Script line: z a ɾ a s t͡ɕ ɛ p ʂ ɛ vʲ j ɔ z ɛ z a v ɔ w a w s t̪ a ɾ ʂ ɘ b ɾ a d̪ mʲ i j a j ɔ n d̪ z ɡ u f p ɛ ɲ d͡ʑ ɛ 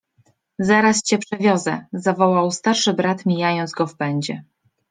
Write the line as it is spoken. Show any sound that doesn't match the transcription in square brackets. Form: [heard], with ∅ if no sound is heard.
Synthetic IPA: z a ɾ a s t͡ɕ ɛ p ʂ ɛ vʲ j ɔ z ɛ z a v ɔ w a w s t̪ a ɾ ʂ ɘ b ɾ a [t̪] mʲ i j a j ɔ n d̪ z ɡ [ɔ] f p ɛ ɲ d͡ʑ ɛ